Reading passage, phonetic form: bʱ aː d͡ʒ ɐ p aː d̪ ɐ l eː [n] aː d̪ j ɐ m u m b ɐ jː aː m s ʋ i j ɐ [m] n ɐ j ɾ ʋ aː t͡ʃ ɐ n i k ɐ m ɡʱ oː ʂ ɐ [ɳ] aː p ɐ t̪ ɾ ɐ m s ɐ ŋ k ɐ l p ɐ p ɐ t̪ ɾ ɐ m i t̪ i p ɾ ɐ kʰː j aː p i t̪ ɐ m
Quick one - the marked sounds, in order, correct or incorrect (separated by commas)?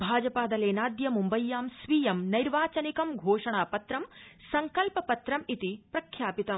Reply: correct, correct, correct